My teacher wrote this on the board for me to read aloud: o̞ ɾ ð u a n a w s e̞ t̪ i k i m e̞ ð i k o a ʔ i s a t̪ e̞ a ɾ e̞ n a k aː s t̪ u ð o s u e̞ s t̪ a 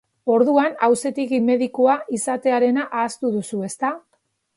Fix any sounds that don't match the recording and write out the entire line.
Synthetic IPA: o̞ ɾ ð u a n a w s e̞ t̪ i k i m e̞ ð i k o a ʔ i s a t̪ e̞ a ɾ e̞ n a ʔ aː s t̪ u ð u s u e̞ s t̪ a